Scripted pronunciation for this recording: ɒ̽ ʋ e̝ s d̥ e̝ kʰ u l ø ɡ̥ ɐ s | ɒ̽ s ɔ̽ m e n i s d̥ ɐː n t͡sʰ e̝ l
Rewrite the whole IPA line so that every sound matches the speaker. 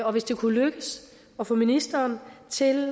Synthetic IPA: ɒ̽ ʋ e̝ s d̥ e̝ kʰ u l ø ɡ̥ ə s | ɒ̽ f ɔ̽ m i n i s d̥ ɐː n t͡sʰ e̝ l